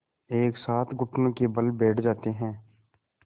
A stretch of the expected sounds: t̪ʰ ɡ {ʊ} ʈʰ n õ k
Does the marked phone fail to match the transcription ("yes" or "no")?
no